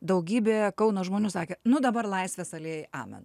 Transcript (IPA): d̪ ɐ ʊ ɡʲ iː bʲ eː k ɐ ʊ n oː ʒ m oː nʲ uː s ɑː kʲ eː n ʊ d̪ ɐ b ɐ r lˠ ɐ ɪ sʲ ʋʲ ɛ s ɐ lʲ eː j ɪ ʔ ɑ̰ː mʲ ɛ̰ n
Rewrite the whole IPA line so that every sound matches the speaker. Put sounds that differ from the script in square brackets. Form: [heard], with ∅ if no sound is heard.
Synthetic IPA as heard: d̪ ɐ ʊ ɡʲ iː bʲ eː k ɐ ʊ n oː ʒ m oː nʲ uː s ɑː kʲ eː n ʊ d̪ ɐ b ɐ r lˠ ɐ ɪ sʲ ʋʲ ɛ s ɐ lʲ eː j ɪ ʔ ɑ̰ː mʲ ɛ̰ n